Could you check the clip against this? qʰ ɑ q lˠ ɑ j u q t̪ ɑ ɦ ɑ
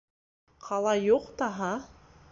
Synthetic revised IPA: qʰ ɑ lˠ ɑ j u q t̪ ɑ ɦ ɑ